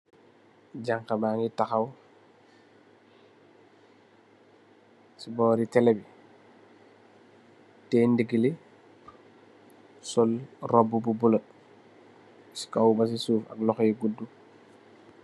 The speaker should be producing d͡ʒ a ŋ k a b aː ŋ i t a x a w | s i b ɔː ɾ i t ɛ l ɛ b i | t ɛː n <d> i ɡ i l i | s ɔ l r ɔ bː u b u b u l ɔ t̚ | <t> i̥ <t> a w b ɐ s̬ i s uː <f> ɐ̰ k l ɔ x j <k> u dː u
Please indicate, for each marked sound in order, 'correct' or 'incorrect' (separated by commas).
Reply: correct, incorrect, incorrect, correct, incorrect